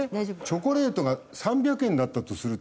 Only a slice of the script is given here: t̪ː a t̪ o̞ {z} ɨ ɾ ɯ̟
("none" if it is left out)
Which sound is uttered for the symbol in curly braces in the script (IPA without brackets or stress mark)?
s